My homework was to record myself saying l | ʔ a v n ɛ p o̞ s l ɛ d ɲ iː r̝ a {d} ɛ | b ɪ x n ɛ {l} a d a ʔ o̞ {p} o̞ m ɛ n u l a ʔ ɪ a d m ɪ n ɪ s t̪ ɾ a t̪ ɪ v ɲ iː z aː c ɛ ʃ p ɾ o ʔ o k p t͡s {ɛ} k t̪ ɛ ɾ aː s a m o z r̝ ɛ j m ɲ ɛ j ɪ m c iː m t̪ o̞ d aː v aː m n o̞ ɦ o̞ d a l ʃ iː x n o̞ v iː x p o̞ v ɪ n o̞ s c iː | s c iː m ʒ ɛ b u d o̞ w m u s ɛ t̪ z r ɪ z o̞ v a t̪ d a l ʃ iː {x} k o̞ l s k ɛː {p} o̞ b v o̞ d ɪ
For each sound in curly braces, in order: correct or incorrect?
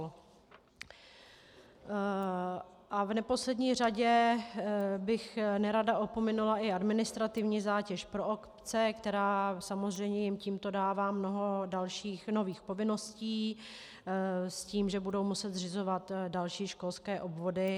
incorrect: ɟ, incorrect: ɾ, correct, correct, incorrect: ʃ, incorrect: ʔ

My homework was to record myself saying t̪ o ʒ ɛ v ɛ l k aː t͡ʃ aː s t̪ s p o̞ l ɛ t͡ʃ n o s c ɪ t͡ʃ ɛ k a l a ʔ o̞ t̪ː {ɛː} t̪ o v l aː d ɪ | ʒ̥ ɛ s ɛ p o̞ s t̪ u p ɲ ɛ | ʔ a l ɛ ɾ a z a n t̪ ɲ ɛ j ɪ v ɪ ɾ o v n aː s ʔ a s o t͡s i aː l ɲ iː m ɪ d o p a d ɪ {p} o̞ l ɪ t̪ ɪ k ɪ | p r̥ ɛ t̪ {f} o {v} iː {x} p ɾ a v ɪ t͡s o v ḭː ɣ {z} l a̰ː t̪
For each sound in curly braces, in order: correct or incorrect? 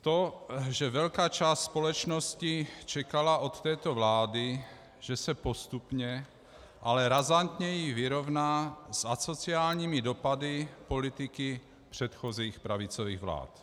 correct, correct, incorrect: x, incorrect: z, correct, incorrect: v

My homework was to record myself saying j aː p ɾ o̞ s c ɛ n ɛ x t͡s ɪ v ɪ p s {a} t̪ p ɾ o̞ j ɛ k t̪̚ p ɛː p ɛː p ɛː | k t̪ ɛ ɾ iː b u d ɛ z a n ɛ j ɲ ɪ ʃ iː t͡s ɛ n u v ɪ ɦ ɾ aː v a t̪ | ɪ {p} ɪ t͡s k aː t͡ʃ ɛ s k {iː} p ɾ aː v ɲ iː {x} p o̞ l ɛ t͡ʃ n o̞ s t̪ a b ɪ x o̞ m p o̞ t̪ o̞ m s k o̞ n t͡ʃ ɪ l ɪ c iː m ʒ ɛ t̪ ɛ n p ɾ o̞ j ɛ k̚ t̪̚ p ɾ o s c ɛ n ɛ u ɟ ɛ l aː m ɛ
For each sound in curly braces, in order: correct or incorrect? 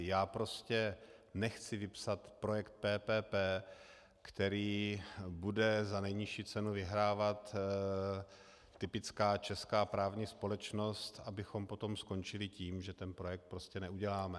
correct, correct, incorrect: aː, incorrect: s

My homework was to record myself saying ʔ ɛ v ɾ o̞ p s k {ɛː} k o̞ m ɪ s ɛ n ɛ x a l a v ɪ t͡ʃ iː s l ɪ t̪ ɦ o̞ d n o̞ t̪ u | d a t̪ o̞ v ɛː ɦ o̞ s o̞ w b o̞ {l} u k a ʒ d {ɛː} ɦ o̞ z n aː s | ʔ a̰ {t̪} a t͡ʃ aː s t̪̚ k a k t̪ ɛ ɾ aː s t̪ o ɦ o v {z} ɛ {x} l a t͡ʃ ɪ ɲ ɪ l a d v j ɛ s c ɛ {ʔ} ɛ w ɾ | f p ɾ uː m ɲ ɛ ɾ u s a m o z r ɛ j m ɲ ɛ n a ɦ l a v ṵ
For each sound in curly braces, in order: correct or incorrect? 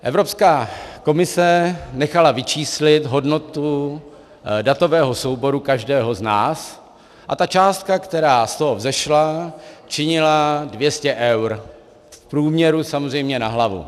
incorrect: aː, incorrect: ɾ, correct, correct, correct, incorrect: ʃ, correct

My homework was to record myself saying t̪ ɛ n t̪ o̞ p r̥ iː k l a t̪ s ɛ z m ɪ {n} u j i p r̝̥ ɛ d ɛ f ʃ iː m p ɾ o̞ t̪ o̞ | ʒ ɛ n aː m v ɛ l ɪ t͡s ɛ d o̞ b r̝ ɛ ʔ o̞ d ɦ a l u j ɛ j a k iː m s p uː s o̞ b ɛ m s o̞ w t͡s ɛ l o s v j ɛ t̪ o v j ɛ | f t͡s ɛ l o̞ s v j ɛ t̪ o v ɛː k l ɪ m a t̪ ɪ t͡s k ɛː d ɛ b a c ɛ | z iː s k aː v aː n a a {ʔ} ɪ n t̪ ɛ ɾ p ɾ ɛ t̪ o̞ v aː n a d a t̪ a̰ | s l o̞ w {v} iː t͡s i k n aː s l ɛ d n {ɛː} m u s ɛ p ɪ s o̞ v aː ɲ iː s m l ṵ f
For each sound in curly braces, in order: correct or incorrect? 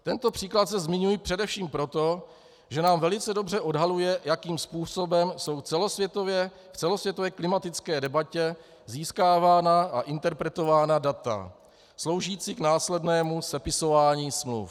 incorrect: ɲ, correct, incorrect: ʒ, correct

